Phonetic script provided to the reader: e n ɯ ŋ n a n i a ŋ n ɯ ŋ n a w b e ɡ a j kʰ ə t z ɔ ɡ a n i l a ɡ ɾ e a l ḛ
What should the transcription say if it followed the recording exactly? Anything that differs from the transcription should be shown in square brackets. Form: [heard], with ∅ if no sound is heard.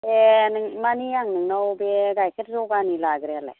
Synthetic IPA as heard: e n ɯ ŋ [m] a n i a ŋ n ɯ ŋ n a w b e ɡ a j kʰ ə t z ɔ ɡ a n i l a ɡ ɾ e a l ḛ